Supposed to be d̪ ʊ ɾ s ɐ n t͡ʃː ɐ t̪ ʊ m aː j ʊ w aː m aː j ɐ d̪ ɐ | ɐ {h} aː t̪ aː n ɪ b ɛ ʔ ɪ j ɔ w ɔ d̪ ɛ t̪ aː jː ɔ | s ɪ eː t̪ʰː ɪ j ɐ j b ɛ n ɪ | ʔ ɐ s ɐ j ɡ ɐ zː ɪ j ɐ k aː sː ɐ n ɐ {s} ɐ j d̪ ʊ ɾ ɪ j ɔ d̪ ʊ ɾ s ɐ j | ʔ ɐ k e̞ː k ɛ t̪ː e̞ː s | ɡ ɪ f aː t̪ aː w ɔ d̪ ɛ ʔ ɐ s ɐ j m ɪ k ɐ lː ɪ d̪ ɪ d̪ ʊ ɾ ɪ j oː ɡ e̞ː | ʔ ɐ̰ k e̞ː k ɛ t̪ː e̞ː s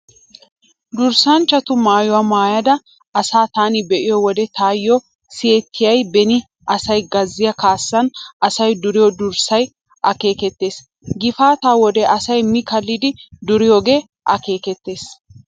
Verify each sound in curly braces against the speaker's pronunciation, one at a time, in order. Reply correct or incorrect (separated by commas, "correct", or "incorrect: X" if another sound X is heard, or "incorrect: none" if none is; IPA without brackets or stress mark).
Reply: incorrect: s, correct